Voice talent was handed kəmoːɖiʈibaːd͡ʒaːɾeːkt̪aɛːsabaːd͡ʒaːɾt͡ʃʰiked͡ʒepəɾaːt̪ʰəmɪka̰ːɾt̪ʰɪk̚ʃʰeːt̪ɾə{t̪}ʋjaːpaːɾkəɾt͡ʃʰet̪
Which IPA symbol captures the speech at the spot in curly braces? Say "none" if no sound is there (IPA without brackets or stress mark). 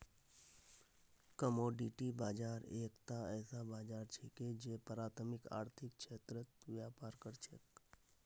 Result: t̪